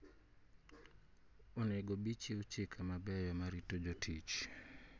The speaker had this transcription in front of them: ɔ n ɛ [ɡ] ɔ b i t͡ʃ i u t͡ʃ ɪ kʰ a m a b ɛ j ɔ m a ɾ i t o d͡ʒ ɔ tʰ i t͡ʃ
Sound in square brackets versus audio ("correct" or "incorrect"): correct